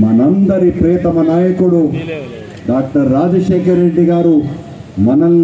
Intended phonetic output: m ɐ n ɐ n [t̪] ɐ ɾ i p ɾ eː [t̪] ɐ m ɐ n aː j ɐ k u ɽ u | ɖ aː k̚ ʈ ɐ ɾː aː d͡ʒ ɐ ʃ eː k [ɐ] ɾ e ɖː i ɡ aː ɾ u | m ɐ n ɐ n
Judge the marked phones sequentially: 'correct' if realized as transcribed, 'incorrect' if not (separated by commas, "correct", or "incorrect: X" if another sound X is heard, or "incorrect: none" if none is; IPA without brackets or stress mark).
incorrect: d̪, correct, correct